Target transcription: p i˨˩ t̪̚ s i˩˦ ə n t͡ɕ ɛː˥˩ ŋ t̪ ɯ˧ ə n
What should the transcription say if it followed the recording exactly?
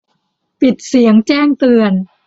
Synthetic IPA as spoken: p i˨˩ t̪̚ s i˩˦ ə ŋ t͡ɕ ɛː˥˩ ŋ t̪ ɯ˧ ə n